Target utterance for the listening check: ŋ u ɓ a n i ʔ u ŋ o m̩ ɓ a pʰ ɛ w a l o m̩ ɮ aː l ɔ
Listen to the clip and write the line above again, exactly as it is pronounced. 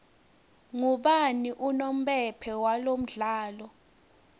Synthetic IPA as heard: ŋ u ɓ a n i ʔ u n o m̩ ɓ ɛ pʰ ɛ w a l o m̩ ɮ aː l ɔ

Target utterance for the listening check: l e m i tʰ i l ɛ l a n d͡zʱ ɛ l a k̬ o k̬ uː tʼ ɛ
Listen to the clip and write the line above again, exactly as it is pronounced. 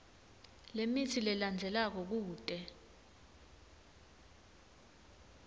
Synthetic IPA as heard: l e m i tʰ i l ɛ l a n d͡zʱ ɛ l a k̬ ɔ k̬ uː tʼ ɛ

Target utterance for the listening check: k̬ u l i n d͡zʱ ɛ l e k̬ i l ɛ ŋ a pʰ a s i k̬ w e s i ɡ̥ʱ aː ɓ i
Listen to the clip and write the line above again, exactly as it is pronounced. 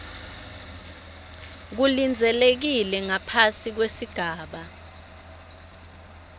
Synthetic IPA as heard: k̬ u l i n d͡zʱ ɛ l e k̬ i l ɛ ŋ a pʰ a s i k̬ w e s i ɡ̥ʱ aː ɓ a

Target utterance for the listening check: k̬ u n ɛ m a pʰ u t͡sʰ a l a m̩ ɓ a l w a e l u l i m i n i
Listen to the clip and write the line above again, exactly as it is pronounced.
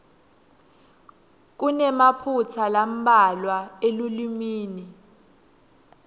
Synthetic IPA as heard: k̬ u n ɛ m a pʰ u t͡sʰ a l a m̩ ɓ a l w a e l u l i m iː n i

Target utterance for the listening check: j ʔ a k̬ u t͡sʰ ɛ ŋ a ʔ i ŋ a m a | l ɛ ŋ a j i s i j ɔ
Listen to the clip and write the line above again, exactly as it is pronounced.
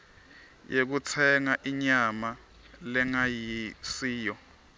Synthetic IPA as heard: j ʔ e k̬ u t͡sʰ ɛ ŋ a ʔ i ɲ a m a | l ɛ ŋ a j i s iː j ɔ

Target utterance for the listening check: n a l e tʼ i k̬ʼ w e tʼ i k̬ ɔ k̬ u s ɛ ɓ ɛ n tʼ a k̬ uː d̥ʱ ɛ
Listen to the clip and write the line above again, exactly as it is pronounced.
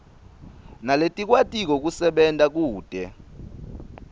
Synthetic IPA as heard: n a l e tʼ i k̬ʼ w a tʼ i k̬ ɔ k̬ u s ɛ ɓ ɛ n tʼ a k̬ uː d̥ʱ ɛ

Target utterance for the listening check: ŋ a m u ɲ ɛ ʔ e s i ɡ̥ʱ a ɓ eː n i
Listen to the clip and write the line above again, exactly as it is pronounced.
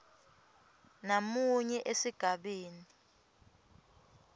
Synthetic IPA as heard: n a m u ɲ ɛ ʔ e s i ɡ̥ʱ a ɓ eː n i

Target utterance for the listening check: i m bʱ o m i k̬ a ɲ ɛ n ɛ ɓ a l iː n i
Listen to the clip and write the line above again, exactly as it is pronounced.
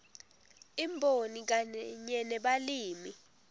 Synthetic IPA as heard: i m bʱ o n i k̬ a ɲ ɛ n ɛ ɓ a l iː m i

